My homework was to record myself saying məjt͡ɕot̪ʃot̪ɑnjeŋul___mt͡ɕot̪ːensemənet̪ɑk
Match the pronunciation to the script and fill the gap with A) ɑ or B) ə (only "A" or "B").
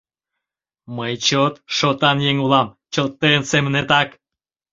A